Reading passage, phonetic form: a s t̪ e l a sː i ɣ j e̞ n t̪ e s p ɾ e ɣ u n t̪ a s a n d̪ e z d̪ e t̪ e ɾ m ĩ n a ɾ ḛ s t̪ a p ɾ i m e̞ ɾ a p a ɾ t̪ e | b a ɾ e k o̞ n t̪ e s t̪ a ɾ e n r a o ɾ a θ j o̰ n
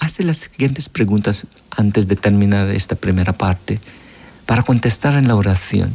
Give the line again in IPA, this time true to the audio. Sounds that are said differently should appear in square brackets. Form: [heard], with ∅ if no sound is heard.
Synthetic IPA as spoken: a s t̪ e l a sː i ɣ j e̞ n t̪ e s p ɾ e ɣ u n t̪ a s a n [t̪] e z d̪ e t̪ e ɾ m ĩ n a ɾ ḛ s t̪ a p ɾ i m e̞ ɾ a p a ɾ t̪ e | [p] a ɾ [a] k o̞ n t̪ e s t̪ a ɾ e n [l] a o ɾ a θ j o̰ n